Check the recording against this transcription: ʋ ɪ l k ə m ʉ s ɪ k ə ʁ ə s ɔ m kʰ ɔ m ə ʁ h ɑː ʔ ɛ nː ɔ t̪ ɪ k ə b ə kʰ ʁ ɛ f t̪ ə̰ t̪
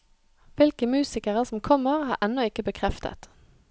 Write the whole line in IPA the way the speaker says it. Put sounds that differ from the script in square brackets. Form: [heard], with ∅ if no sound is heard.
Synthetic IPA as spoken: ʋ ɪ l k ə m [ʉː] s ɪ k ə ʁ ə s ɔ m kʰ ɔ m ə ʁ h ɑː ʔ ɛ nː ɔ [∅] ɪ k ə b ə kʰ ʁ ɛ f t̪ ə̰ t̪